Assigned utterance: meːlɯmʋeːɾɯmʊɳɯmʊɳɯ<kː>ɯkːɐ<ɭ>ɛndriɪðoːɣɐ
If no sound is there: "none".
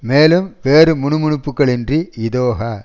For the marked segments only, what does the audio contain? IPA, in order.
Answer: pː, ɭ

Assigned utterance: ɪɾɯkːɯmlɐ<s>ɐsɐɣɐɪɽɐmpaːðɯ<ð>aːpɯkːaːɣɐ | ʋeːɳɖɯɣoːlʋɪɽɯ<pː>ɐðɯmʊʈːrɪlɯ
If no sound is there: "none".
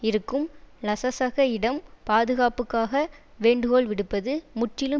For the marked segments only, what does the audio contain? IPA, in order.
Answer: s, ɣ, pː

